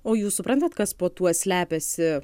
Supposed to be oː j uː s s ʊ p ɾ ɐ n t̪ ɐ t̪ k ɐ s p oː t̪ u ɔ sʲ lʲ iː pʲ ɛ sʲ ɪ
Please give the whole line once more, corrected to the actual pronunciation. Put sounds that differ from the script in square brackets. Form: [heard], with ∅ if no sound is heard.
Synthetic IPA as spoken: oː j uː s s ʊ p ɾ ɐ n t̪ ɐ t̪ k ɐ s p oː t̪ u ɔ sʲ lʲ [æː] pʲ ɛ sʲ ɪ